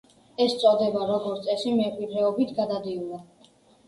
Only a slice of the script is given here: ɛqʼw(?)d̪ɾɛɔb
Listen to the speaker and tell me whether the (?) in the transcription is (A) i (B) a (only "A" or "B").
A